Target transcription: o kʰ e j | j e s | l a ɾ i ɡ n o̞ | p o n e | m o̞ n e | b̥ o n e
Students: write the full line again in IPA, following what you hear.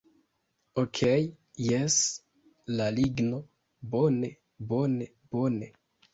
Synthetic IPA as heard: o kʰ e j | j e s | l a l i ɡ n o̞ | b o n e | b o̞ n e | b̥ o n e

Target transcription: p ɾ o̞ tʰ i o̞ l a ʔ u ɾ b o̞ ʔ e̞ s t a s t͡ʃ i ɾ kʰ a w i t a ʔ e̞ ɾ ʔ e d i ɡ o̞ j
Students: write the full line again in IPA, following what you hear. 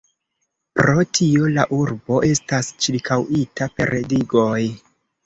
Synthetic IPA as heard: p ɾ o̞ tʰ i o̞ l a ʔ u ɾ b o̞ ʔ e̞ s t a s t͡ʃ i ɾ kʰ a w i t a p e̞ ɾ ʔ e d i ɡ o̞ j

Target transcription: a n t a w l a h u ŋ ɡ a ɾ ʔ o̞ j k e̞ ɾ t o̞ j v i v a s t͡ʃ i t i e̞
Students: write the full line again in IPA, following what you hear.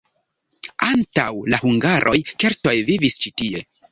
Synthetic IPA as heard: a n t a w l a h u ŋ ɡ a ɾ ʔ o̞ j k e̞ ɾ t o̞ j v i v i s t͡ʃ i t i e̞

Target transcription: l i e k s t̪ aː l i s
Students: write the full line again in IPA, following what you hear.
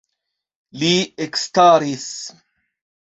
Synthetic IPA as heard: l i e k s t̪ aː ɾ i s

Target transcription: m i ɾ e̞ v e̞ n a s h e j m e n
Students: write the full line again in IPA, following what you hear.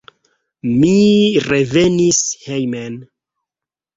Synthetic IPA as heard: m i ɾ e̞ v e̞ n i s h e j m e n

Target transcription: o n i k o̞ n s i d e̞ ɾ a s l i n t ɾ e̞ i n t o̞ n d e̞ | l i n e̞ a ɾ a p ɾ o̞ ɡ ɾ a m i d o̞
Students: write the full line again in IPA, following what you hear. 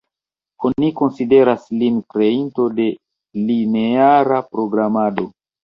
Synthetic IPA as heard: o n i k o̞ n s i d e̞ ɾ a s l i n k ɾ e̞ i n t o̞ d e̞ | l i n e̞ a ɾ a p ɾ o̞ ɡ ɾ a m a d o̞

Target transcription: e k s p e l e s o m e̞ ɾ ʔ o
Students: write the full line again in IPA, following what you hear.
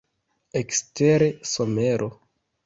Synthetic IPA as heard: e k s t e ɾ e s o m e̞ ɾ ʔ o

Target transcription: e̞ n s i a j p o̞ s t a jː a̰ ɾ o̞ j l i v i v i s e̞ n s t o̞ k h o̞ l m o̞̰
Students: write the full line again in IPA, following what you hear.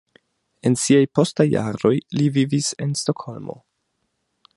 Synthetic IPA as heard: e̞ n s i a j p o̞ s t a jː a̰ ɾ o̞ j l i v i v i s e̞ n s t o̞ k h o̞ l m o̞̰

